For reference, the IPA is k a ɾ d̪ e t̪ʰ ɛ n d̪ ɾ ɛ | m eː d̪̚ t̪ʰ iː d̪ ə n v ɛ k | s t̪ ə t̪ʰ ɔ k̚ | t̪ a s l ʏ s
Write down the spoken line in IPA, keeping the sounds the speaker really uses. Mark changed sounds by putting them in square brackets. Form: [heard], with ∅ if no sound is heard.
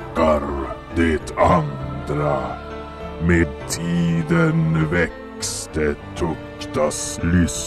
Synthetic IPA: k a ɾ d̪ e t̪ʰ [a] n d̪ ɾ [a] | m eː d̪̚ t̪ʰ iː d̪ ə n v ɛ k | s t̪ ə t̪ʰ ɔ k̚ | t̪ a s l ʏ s